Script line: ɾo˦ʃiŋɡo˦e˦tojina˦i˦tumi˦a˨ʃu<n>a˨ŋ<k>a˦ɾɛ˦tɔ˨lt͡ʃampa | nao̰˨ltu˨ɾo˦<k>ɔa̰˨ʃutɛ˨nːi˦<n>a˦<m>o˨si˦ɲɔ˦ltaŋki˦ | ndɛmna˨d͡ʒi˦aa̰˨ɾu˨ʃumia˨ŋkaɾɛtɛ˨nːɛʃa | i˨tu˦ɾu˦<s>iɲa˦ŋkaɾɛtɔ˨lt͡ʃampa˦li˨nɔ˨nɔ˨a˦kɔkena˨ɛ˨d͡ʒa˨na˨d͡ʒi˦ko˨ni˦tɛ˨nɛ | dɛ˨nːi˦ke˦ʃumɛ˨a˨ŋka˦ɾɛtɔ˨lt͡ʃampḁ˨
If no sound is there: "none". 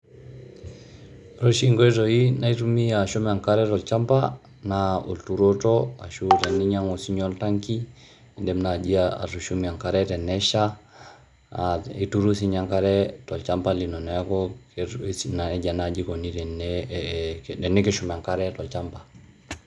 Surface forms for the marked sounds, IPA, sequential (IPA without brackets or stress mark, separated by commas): m, k, t, ɲ, ŋ, s